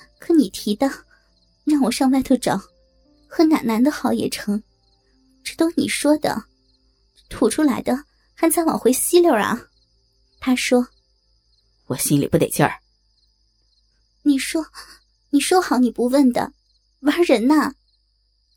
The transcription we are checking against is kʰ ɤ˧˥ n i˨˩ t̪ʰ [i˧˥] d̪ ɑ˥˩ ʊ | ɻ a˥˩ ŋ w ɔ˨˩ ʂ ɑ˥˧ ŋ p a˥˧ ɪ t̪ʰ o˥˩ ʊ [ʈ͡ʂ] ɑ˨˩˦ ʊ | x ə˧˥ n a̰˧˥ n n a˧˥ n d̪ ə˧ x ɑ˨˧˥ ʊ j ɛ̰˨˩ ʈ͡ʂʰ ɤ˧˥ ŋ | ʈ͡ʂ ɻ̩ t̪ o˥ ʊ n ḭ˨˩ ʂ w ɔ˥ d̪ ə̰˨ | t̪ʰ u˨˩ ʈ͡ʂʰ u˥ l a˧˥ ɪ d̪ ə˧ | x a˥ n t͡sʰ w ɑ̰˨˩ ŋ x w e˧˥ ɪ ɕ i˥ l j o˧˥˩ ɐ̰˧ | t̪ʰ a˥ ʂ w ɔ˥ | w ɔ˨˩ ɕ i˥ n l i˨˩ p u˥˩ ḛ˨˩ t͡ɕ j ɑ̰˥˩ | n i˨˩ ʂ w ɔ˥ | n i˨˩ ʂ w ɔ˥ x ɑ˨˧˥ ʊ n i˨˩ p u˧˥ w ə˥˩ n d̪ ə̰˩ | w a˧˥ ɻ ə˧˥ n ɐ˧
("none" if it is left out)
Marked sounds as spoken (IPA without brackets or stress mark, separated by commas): i˧˥, ʈ͡ʂ